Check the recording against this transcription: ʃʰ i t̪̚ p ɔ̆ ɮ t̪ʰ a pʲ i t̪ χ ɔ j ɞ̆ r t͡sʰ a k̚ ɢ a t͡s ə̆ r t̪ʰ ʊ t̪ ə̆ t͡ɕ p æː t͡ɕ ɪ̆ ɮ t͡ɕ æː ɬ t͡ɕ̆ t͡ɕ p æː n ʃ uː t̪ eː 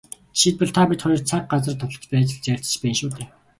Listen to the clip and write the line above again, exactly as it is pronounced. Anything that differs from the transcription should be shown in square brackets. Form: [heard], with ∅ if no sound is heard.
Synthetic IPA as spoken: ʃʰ i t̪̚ p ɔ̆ ɮ t̪ʰ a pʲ i t̪ χ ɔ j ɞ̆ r t͡sʰ a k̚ ɢ a t͡s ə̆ r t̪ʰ ʊ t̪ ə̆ t͡ɕ p æː t͡ɕ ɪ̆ ɮ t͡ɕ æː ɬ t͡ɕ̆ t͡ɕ p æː n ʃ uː t̪ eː